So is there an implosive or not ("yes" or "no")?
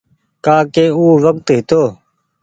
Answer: no